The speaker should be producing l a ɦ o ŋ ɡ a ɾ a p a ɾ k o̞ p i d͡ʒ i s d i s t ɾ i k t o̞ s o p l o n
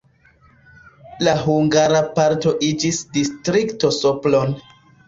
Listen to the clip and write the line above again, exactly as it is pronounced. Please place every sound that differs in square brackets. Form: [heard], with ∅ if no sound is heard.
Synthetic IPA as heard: l a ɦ [u] ŋ ɡ a ɾ a p a ɾ [t] o̞ [ʔ] i d͡ʒ i s d i s t ɾ i k t o̞ s o p l o n